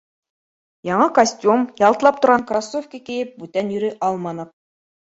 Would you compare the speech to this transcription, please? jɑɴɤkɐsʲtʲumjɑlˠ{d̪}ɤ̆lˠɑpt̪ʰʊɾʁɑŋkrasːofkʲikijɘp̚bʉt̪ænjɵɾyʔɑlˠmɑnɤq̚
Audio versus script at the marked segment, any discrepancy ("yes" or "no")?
yes